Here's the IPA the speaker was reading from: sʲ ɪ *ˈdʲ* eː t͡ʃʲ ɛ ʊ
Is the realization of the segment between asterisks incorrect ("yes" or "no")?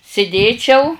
no